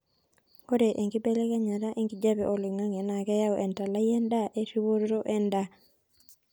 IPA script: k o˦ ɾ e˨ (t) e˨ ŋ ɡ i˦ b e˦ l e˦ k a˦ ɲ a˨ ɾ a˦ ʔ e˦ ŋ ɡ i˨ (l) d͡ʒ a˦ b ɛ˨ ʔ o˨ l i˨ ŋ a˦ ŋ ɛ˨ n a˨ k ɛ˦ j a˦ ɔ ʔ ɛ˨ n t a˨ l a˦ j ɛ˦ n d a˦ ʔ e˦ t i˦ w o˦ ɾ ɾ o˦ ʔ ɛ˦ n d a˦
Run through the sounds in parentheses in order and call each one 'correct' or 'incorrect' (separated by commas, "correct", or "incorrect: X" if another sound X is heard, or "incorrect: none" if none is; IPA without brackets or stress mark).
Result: incorrect: ʔ, incorrect: none